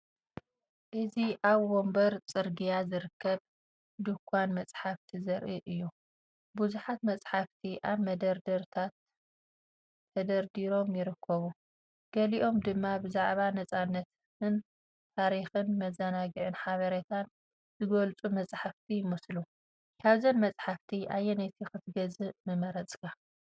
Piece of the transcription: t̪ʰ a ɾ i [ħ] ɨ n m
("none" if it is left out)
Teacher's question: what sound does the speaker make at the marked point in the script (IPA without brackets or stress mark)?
x